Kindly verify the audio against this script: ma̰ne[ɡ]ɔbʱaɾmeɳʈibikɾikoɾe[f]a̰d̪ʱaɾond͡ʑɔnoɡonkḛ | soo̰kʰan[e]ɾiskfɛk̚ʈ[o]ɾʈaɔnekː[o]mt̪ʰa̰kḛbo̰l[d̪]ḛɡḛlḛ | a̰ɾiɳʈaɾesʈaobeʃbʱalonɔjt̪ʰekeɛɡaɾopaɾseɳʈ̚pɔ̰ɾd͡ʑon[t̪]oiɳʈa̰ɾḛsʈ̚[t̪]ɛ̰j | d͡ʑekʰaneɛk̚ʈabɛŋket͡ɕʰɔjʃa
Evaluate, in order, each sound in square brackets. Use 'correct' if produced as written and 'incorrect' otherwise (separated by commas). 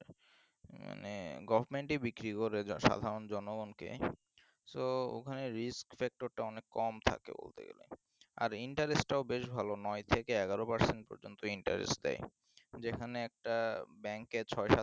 correct, incorrect, correct, correct, incorrect, incorrect, correct, incorrect